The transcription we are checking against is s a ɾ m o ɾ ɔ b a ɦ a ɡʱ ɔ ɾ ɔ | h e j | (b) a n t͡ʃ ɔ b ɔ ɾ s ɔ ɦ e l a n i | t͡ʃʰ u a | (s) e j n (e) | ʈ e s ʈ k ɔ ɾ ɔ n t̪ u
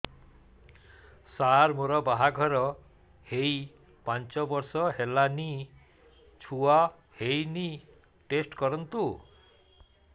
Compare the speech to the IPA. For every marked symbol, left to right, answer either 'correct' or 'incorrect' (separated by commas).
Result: incorrect, incorrect, incorrect